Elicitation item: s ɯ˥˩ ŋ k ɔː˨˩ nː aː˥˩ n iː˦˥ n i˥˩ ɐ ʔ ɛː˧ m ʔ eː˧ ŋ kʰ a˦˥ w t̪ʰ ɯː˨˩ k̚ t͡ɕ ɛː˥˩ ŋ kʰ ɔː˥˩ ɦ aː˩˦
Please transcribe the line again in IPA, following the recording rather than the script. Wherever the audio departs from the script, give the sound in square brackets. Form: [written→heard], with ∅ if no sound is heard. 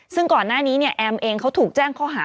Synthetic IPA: s ɯ˥˩ ŋ k ɔː˨˩ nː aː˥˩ n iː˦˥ n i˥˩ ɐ ʔ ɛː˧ m ʔ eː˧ ŋ kʰ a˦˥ w t̪ʰ [ɯː˨˩→uː˨˩] k̚ t͡ɕ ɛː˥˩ ŋ kʰ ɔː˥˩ ɦ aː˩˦